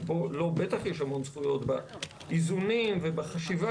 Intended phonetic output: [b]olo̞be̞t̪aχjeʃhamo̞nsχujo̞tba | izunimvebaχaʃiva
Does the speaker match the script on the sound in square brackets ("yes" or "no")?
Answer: yes